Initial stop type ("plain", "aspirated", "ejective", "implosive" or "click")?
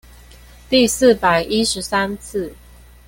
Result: plain